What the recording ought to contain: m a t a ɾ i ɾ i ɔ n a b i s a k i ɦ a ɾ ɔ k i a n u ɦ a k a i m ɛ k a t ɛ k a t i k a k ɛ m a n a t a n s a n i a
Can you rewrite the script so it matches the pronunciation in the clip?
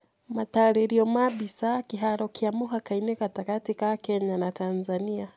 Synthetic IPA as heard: m a t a ɾ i ɾ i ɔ m a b i s a k i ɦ a ɾ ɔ k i a m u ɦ a k a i n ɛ k a t a k a t i k a k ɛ ɲ a n a t a n z a n i a

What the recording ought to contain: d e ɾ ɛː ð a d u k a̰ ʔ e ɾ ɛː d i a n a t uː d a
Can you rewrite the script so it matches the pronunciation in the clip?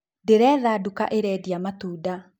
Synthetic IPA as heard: d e ɾ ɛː ð a d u k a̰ ʔ e ɾ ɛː d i a m a t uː d a

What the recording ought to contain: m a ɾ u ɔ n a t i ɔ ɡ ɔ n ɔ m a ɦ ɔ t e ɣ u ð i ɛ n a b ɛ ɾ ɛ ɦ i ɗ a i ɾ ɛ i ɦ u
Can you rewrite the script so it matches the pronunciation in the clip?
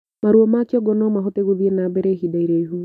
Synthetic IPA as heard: m a ɾ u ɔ m a k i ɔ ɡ ɔ n ɔ m a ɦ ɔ t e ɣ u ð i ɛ n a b ɛ ɾ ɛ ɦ i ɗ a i ɾ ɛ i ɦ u

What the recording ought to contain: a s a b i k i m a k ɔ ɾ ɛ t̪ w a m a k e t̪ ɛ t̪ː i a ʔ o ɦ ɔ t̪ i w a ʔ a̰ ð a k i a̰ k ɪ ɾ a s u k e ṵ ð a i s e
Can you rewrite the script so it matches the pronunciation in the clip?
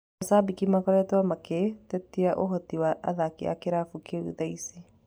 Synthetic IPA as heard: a s a b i k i m a k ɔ ɾ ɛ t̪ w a m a k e t̪ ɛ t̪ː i a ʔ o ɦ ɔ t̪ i w a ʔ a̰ ð a k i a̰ k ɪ ɾ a f u k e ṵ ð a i s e

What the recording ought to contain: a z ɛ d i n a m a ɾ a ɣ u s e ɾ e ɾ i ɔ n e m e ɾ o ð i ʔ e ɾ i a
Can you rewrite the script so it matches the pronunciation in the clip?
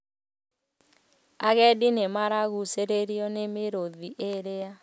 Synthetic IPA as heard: a ɣ ɛ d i n e m a ɾ a ɣ u s e ɾ e ɾ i ɔ n e m e ɾ o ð i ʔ e ɾ e a

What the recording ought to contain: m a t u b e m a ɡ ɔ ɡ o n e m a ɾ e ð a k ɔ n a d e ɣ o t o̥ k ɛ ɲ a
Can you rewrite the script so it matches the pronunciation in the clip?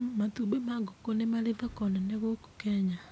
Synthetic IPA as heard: m a t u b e m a ɡ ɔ k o n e m a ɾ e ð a k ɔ n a n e ɣ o k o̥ k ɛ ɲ a

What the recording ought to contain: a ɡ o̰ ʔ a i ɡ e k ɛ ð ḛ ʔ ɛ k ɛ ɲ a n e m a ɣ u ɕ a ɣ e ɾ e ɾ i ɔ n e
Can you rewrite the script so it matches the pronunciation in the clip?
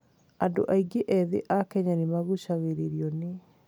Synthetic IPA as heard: a d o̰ ʔ a i ɡ e ʔ ɛ ð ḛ ʔ a k ɛ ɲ a n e m a ɣ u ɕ a ɣ e ɾ e ɾ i ɔ n e

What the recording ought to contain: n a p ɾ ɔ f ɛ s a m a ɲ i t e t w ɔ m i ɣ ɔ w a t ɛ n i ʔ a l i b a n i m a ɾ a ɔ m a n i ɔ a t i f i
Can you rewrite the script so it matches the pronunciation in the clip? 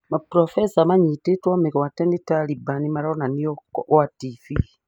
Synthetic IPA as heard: m a p ɾ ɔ f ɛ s a m a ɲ i t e t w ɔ m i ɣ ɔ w a t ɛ n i t a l i b a n i m a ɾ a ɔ n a n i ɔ a t i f i

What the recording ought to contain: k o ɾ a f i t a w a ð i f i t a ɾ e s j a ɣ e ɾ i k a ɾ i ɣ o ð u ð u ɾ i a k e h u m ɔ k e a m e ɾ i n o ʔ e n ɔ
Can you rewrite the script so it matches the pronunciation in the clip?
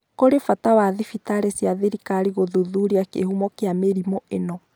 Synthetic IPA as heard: k o ɾ e f a t a w a ð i f i t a ɾ e s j a ð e ɾ i k a ɾ i ɣ o ð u ð u ɾ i a k e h u m ɔ k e a m e ɾ i m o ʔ e n ɔ

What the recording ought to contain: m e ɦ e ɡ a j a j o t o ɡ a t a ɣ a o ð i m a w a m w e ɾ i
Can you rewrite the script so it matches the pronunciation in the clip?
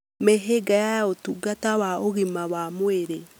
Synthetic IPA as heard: m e ɦ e ɡ a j a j o t u ɡ a t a w a o ɣ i m a w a m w e ɾ e

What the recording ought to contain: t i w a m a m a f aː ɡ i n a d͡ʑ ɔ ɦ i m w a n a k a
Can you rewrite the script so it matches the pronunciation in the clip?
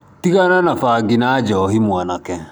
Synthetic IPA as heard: t i ɣ a n a n a f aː ɡ i n a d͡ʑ ɔ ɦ i m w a n a k ɛ

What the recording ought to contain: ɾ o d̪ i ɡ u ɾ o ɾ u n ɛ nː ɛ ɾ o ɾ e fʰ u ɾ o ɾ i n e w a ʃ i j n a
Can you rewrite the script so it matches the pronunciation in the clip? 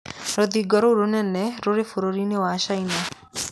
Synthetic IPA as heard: ɾ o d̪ i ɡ ɔ ɾ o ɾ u n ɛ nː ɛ ɾ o ɾ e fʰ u ɾ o ɾ i n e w a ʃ a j n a

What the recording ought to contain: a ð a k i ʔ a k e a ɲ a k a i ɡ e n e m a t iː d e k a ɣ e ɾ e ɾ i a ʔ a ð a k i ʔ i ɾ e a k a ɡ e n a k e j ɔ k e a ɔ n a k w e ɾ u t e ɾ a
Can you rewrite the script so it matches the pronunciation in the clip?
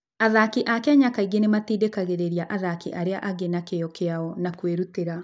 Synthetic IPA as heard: a ð a k i ʔ a k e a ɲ a k a i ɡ e n e m a t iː d e k a ɣ e ɾ e ɾ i a ʔ a ð a k i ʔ a ɾ e a ʔ a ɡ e n a k e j ɔ k e a ɔ n a k w e ɾ u t e ɾ a

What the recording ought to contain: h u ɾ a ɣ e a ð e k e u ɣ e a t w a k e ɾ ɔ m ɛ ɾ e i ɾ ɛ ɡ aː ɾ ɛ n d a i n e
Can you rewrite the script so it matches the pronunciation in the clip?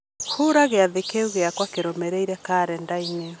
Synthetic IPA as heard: h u ɾ a ɣ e a ð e k e u ɣ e a k w a k e ɾ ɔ m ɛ ɾ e i ɾ ɛ k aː ɾ ɛ n d a i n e

